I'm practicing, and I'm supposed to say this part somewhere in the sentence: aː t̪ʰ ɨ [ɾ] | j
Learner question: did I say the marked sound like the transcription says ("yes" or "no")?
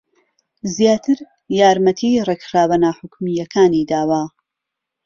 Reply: yes